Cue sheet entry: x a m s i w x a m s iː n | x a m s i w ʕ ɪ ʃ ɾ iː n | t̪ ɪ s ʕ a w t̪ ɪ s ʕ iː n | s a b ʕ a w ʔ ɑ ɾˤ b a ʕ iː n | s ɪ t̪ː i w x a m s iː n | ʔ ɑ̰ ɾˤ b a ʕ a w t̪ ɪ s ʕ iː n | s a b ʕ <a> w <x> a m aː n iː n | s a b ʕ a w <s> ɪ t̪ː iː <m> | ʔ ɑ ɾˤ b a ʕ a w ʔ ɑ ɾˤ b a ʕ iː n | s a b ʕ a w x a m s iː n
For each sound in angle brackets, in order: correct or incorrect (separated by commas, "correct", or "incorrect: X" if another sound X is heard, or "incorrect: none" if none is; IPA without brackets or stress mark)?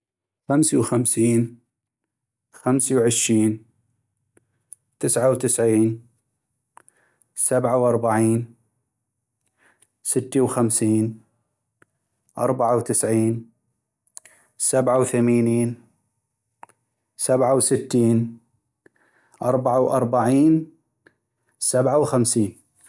correct, incorrect: θ, correct, incorrect: n